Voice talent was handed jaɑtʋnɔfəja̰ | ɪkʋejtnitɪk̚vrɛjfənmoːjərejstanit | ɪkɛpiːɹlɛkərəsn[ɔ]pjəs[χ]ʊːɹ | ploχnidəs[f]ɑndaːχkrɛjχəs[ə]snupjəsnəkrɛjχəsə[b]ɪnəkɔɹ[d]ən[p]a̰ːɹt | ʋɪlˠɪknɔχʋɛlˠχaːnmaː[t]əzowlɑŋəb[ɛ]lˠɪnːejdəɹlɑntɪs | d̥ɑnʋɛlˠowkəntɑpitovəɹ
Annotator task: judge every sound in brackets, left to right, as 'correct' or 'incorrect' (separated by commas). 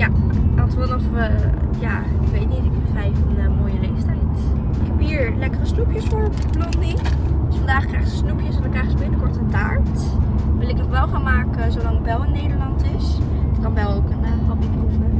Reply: incorrect, incorrect, correct, correct, correct, incorrect, incorrect, incorrect, correct